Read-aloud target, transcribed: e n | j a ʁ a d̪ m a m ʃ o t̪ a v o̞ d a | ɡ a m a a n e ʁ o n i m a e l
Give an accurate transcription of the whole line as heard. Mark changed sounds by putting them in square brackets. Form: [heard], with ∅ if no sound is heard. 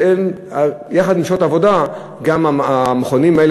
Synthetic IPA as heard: e n | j a [χ] a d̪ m [i] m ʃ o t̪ a v o̞ d a | ɡ a m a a [m] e [χ] o n i m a e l

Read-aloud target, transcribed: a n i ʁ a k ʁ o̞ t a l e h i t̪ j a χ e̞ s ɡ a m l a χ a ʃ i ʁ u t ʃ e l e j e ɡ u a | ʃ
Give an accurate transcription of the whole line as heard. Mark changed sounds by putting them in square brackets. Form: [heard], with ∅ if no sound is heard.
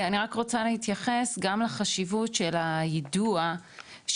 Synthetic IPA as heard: a n i ʁ a k ʁ o̞ [t͡s] a l e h i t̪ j a χ e̞ s ɡ a m l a χ a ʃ i [v] u t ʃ e l [a] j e [d] u a | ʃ

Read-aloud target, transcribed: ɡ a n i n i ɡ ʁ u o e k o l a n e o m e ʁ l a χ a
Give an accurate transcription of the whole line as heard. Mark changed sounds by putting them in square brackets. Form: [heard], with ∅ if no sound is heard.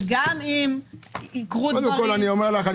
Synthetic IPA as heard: ɡ a [m] i [m] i [k] ʁ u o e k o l a n [i] o m e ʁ l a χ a

